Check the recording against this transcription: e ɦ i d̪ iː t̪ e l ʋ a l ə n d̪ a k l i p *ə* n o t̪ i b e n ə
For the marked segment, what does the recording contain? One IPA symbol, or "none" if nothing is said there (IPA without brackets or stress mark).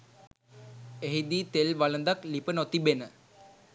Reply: ə